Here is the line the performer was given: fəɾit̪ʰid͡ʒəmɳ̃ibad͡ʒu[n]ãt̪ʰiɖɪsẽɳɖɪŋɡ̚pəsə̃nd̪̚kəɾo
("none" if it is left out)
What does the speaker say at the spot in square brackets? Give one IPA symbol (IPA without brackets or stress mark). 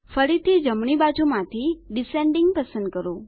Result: m